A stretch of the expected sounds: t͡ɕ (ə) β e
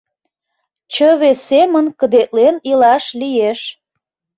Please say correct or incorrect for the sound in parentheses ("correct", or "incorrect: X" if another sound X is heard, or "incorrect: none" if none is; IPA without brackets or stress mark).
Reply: correct